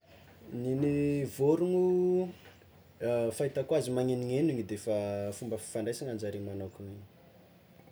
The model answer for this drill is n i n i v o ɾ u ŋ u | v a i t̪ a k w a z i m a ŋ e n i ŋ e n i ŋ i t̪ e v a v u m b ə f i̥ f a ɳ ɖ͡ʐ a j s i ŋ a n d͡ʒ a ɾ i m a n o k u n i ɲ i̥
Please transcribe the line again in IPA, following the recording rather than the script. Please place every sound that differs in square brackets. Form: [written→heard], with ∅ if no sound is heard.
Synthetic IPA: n i n i v o ɾ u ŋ u | [v→f] a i t̪ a k w a z i m a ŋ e n i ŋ e n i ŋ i [t̪→d̪] e [v→f] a [v→f] u m b ə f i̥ f a ɳ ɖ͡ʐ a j s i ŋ a n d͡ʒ a ɾ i m a n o k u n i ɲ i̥